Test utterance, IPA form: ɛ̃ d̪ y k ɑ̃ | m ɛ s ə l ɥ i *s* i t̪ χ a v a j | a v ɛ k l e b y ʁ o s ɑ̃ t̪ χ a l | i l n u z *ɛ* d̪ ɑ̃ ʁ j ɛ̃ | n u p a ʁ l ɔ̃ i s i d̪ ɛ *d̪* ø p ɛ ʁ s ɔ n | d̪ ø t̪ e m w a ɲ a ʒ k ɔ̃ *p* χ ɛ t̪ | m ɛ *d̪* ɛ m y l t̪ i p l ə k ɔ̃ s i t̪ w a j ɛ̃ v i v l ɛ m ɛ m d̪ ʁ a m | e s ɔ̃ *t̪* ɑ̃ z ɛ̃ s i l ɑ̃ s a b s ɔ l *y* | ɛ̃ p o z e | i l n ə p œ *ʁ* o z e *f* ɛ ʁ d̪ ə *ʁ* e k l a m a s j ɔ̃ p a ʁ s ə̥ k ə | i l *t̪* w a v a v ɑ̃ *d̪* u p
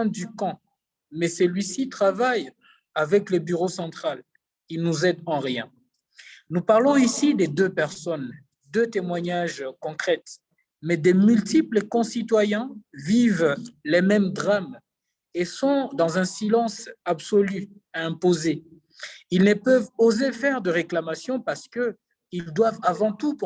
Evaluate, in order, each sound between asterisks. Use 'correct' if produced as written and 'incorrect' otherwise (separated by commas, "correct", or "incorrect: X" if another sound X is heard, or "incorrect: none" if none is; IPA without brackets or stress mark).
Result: correct, correct, correct, incorrect: k, correct, incorrect: d̪, correct, incorrect: v, correct, correct, incorrect: d̪, incorrect: t̪